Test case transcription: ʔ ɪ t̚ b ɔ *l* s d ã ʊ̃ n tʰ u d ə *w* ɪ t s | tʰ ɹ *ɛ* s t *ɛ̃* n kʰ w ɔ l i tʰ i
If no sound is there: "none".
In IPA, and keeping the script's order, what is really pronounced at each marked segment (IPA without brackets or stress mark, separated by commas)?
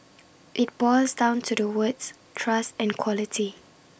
l, w, a, ɛ̃